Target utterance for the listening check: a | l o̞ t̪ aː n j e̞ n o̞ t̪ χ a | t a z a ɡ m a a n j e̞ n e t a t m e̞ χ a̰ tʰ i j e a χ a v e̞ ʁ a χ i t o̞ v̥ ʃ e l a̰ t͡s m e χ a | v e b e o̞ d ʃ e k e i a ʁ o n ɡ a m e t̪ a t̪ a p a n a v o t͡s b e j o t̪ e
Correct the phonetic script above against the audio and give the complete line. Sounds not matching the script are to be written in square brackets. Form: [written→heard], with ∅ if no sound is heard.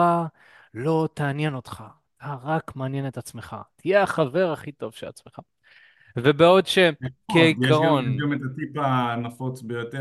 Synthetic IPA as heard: a | l o̞ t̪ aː n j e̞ n o̞ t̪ χ a | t a [z→ʁ] a [ɡ→k] m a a n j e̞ n e t a [t→t͡s] m e̞ χ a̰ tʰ i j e a χ a v e̞ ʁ a χ i t o̞ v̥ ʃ e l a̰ t͡s m e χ a | v e b e o̞ d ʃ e k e i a ʁ o n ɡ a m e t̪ a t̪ [a→i] p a n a [v→f] o t͡s b e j o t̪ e